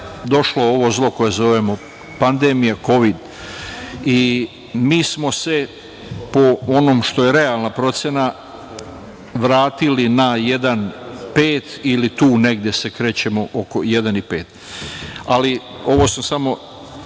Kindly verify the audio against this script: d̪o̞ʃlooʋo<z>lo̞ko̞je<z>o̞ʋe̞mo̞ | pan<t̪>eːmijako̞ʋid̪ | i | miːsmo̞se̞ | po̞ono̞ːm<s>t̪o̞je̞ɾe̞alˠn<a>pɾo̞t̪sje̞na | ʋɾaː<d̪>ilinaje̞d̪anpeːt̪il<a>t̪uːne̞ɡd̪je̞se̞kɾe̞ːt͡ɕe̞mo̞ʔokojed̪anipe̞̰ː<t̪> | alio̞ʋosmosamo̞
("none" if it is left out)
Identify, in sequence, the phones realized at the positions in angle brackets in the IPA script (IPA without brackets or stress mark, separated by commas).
z, z, d̪, ʃ, a, t̪, i, t̪